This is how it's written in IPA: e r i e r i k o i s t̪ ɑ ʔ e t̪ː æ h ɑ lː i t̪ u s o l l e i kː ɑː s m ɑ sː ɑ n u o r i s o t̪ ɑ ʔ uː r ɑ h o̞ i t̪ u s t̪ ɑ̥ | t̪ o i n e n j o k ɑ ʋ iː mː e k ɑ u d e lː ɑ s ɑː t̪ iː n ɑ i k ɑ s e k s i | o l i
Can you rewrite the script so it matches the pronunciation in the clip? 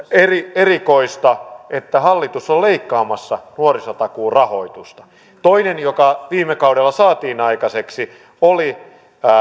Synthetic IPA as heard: e r i e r i k o i s t̪ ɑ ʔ e t̪ː æ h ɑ lː i t̪ u s o l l e i kː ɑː m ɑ sː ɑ n u o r i s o t̪ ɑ k uː r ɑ h o̞ i t̪ u s t̪ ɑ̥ | t̪ o i n e n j o k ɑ ʋ iː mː e k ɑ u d e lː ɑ s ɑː t̪ iː n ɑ i k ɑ s e k s i | o l i